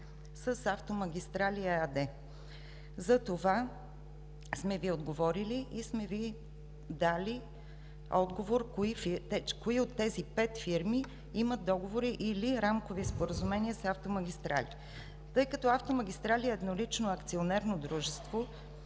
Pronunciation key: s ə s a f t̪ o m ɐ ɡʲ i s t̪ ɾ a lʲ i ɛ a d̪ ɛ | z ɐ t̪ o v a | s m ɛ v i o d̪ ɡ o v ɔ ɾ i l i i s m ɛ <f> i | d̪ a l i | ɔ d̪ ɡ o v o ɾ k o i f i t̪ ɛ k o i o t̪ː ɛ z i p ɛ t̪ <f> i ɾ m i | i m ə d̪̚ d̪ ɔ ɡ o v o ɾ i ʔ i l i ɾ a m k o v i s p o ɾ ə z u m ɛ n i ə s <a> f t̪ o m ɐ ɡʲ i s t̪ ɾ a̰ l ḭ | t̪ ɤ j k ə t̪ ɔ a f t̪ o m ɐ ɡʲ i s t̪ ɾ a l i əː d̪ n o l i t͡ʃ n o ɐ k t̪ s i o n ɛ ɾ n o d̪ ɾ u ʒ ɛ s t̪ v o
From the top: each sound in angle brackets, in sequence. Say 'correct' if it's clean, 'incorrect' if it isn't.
incorrect: v, correct, correct

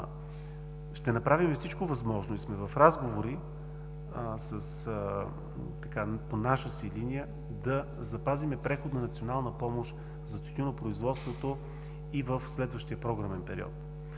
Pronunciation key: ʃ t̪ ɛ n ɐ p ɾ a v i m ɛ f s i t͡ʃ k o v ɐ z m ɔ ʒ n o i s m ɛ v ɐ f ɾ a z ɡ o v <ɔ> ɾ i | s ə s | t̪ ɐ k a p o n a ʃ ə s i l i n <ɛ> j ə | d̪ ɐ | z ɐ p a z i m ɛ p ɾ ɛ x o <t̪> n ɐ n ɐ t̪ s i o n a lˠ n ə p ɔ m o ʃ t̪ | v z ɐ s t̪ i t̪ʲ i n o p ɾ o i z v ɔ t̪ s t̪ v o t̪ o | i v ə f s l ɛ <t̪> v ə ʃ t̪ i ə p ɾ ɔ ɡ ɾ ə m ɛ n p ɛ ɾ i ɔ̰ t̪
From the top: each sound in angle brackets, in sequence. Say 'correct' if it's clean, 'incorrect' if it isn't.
incorrect: o, incorrect: i, incorrect: d̪, incorrect: d̪

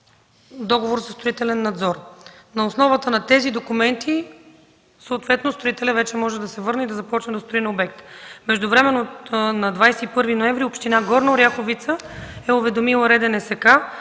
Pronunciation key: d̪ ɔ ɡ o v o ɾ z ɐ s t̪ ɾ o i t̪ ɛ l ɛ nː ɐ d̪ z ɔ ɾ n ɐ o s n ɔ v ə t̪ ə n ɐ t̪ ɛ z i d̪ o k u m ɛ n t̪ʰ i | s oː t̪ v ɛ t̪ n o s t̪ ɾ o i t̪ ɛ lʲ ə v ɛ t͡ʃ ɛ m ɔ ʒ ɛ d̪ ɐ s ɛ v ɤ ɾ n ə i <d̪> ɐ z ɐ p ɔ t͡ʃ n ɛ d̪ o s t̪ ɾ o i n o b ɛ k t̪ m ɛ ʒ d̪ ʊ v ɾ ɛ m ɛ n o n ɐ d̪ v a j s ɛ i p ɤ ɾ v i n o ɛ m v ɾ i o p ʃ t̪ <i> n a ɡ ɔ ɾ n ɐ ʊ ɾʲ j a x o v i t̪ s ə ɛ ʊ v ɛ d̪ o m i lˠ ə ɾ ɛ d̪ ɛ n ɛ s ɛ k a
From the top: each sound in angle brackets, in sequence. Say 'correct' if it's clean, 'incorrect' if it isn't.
correct, correct

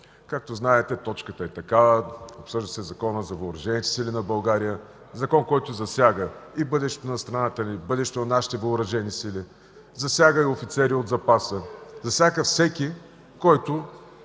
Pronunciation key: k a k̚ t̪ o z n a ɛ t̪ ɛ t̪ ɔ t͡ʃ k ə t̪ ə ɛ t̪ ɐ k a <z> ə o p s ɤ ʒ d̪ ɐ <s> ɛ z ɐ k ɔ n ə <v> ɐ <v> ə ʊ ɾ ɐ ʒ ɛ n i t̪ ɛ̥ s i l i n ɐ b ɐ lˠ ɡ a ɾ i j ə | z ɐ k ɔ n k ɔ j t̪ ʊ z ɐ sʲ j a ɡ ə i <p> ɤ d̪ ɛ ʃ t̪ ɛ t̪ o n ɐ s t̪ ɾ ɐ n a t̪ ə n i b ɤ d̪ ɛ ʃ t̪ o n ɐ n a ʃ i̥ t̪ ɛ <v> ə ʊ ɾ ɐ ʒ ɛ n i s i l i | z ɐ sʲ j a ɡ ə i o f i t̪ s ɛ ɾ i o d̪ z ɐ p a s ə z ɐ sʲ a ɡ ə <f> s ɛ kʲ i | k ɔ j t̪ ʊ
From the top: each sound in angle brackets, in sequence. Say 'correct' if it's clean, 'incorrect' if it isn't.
incorrect: v, correct, incorrect: z, correct, incorrect: b, correct, correct

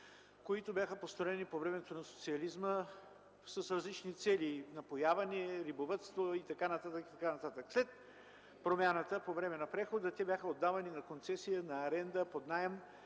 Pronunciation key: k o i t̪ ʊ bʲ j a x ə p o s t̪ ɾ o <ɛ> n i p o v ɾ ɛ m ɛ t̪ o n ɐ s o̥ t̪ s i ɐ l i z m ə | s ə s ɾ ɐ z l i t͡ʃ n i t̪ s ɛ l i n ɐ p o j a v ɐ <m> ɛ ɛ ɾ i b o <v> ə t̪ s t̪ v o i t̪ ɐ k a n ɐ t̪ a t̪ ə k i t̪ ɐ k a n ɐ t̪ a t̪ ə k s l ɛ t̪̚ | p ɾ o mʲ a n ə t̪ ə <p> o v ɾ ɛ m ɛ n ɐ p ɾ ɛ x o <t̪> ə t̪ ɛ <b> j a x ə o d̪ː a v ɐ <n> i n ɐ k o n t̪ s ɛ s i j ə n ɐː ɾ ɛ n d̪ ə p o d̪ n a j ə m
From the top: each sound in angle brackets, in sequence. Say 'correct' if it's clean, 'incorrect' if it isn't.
correct, incorrect: n, correct, correct, incorrect: d̪, correct, correct

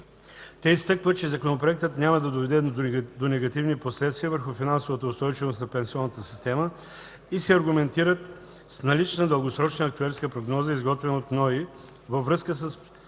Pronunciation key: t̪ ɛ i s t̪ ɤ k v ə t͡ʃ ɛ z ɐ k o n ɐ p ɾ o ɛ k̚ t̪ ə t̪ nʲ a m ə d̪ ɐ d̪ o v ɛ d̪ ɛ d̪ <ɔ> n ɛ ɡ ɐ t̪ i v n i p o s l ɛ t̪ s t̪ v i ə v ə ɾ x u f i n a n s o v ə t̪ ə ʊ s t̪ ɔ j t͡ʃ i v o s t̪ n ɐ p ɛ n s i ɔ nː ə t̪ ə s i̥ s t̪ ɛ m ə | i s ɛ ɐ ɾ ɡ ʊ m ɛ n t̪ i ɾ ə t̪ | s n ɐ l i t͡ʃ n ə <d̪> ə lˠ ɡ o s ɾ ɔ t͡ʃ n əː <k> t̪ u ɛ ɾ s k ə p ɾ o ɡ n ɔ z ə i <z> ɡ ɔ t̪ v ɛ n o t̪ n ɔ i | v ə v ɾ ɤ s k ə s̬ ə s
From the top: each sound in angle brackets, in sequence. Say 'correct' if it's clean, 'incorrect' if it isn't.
incorrect: o, correct, correct, correct

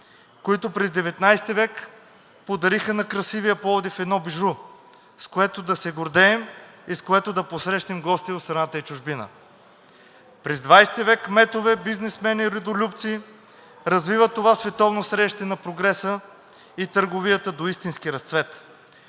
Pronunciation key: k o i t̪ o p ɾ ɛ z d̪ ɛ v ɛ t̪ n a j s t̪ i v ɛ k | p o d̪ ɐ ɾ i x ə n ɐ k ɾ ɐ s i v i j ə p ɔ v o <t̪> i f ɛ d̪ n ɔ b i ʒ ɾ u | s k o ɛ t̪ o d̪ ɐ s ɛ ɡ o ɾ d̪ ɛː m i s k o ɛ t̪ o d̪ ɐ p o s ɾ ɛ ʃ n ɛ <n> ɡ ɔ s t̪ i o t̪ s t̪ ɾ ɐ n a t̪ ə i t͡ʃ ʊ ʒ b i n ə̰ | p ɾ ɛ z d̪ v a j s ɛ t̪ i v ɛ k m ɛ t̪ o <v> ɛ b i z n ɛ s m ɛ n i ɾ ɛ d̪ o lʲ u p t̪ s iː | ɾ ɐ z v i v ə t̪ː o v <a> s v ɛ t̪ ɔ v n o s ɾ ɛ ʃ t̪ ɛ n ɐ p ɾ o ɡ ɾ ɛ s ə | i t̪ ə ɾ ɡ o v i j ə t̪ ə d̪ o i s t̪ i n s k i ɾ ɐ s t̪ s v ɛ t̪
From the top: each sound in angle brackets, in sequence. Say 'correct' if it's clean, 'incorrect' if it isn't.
incorrect: d̪, incorrect: m, correct, correct

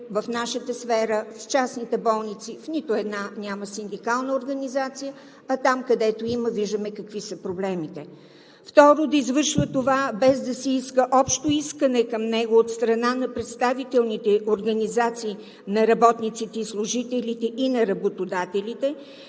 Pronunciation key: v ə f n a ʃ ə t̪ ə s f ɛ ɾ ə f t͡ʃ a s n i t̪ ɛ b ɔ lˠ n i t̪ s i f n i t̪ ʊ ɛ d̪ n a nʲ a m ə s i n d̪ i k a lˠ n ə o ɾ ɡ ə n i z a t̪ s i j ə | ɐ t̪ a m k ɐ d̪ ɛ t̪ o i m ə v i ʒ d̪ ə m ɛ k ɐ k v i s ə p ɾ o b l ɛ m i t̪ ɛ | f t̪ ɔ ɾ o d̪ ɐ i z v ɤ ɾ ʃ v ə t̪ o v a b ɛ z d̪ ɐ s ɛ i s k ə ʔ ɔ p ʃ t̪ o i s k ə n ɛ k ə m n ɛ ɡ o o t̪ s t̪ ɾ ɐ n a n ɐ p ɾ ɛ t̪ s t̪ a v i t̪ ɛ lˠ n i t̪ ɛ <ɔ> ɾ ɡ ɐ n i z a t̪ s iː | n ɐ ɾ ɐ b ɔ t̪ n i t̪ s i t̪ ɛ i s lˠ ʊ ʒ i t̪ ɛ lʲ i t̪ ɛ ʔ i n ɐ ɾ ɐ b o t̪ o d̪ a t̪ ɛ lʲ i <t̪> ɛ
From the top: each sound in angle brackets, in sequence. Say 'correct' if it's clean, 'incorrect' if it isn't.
incorrect: o, correct

